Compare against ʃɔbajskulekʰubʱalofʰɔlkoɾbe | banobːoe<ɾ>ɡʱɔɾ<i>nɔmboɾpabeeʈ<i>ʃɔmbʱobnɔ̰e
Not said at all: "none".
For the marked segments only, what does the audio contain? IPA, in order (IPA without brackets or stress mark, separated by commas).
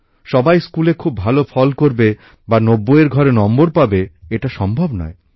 ɾ, e, a